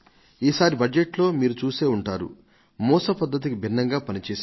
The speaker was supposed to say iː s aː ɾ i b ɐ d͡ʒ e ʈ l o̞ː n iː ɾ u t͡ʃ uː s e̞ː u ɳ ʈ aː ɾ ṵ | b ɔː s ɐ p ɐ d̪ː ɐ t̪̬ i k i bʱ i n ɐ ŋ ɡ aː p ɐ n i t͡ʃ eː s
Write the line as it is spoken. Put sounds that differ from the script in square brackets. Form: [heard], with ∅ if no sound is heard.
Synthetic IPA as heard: iː s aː ɾ i b ɐ d͡ʒ e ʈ l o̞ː [m] iː ɾ u t͡ʃ uː s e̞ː u ɳ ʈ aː ɾ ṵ | [m] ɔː s ɐ p ɐ d̪ː ɐ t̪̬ i k i bʱ i [nː] ɐ ŋ ɡ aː p ɐ n i t͡ʃ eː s